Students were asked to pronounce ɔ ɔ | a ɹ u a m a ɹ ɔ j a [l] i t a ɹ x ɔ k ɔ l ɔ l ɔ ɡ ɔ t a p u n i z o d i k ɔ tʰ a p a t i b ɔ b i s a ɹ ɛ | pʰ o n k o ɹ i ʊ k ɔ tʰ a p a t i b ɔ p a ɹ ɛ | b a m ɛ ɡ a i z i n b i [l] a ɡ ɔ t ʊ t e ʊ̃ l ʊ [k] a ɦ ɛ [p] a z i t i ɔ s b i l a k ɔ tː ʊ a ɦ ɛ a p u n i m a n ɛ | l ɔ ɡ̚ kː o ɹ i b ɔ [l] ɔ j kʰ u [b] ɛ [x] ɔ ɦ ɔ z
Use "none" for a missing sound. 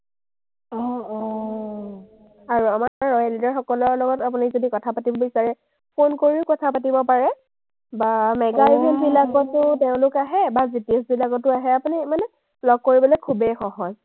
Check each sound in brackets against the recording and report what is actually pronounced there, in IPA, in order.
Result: l, l, k, b, l, b, x

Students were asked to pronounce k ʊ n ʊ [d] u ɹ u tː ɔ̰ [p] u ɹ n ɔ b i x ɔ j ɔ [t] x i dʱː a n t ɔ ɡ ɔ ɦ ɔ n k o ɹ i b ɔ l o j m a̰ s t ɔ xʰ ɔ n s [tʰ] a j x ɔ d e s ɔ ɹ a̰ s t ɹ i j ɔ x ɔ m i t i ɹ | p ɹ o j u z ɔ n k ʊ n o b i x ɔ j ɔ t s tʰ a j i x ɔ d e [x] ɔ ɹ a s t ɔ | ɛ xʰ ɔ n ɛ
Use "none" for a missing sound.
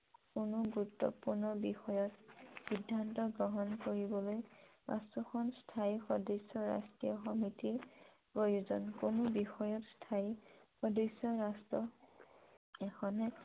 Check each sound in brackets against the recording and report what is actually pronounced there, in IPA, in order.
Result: ɡ, p, t, tʰ, s

